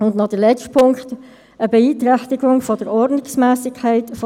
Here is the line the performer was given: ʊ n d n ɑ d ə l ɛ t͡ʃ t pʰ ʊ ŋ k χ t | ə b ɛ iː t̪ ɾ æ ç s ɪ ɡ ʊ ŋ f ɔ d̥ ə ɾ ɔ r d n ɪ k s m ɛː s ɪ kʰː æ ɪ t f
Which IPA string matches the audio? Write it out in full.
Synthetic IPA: ʊ n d n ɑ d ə l ɛ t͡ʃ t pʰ ʊ ŋ k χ t | ə b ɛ iː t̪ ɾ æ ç t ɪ ɡ ʊ ŋ f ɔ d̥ ə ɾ ɔ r d n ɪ k s m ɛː s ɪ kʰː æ ɪ t f